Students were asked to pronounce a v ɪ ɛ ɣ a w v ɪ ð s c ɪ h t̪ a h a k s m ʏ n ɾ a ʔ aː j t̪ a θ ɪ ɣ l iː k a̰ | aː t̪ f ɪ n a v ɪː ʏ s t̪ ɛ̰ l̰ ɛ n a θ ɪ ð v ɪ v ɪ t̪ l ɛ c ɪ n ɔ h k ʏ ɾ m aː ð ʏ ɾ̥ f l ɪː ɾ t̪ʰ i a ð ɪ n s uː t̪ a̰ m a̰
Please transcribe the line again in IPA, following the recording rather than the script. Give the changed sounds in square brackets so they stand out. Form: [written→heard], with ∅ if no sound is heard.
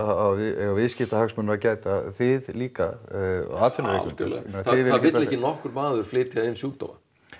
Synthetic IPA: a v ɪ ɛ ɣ a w v ɪ ð s c ɪ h t̪ a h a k s m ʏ n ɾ a [ʔ→c] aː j t̪ a θ ɪ [ɣ→ð] l iː k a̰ | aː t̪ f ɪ n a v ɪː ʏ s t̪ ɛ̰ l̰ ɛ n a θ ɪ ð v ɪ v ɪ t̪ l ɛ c ɪ n ɔ h k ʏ ɾ m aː ð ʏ ɾ̥ f l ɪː ɾ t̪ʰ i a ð ɪ n s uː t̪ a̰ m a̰

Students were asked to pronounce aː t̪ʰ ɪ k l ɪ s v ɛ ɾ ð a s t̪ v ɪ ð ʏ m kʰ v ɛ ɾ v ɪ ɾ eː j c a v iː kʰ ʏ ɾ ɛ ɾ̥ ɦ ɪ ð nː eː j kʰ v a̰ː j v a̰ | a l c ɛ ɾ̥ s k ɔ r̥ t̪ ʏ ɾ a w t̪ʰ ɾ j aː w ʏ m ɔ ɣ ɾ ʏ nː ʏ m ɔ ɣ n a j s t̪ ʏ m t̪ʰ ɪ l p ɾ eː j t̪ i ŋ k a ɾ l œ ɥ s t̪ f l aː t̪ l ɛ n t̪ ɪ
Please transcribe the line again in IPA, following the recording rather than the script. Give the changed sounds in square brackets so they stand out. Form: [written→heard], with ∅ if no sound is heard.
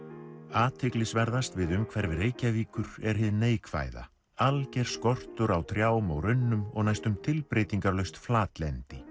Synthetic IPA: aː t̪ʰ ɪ k l ɪ s v ɛ ɾ ð a s t̪ v ɪ ð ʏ m kʰ v ɛ ɾ v ɪ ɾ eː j c a v iː [kʰ→k] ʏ ɾ ɛ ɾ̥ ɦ ɪ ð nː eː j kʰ v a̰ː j [v→ð] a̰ | a l c ɛ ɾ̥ s k ɔ r̥ t̪ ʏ ɾ a w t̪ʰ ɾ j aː w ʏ m ɔ ɣ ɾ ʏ nː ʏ m ɔ ɣ n a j s t̪ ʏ m t̪ʰ ɪ l p ɾ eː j t̪ i ŋ k a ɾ l œ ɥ s t̪ f l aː t̪ l ɛ n t̪ ɪ

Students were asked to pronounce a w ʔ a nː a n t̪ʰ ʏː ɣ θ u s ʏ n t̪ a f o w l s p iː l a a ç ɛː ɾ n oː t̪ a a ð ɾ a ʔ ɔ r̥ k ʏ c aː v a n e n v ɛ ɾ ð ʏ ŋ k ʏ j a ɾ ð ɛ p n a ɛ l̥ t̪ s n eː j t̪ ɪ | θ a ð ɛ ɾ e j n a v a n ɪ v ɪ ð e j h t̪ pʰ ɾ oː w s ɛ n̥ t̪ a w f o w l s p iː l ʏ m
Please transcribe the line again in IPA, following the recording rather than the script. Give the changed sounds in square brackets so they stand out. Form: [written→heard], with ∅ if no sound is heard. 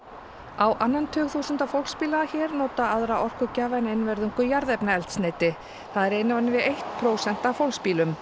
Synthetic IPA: a w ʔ a nː a n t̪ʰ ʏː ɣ θ u s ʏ n t̪ a f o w l s p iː l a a ç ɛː ɾ n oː t̪ a a ð ɾ a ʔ ɔ r̥ k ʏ c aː v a n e n v ɛ ɾ ð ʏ ŋ k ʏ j a ɾ ð ɛ p n a ɛ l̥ t̪ s n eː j t̪ ɪ | θ a ð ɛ ɾ e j n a v a n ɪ v ɪ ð e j h t̪ pʰ ɾ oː w s ɛ n̥ t̪ a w f o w l s p iː l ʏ m

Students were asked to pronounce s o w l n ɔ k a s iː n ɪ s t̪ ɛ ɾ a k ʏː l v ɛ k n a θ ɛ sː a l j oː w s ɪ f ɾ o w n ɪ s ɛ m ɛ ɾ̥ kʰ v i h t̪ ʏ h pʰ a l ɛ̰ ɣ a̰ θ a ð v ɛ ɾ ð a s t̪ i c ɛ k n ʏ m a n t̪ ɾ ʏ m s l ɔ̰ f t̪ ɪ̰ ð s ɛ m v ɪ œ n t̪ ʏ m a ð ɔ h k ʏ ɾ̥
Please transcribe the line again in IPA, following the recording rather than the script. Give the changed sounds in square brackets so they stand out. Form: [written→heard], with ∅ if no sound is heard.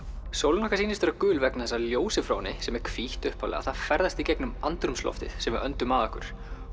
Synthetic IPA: s o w l n ɔ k a s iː n ɪ s t̪ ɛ ɾ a k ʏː l v ɛ k n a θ ɛ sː a l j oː w s ɪ f ɾ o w n ɪ s ɛ m ɛ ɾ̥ kʰ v i h t̪ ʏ h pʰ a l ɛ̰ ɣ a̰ θ a ð [v→f] ɛ ɾ ð a s t̪ i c ɛ k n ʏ m a n t̪ ɾ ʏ m s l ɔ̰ f t̪ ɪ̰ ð s ɛ m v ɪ œ n t̪ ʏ m a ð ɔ h k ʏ ɾ̥

